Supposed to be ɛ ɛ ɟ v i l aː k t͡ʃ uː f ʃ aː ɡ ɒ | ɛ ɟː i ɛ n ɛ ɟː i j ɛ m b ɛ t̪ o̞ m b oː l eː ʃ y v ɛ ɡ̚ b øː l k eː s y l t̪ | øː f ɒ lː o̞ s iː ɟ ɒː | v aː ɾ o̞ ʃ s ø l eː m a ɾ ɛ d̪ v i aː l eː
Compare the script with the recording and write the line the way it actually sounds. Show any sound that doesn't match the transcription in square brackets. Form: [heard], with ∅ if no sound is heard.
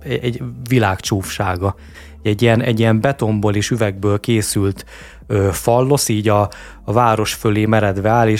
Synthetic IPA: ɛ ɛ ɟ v i l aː k t͡ʃ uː f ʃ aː ɡ ɒ | ɛ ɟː i ɛ n ɛ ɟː i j ɛ m b ɛ t̪ o̞ m b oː l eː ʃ y v ɛ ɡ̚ b øː l k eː s y l t̪ | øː f ɒ lː o̞ s iː ɟ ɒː | v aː ɾ o̞ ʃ [f] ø l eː m [ɛ] ɾ ɛ d̪ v [ɛ] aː l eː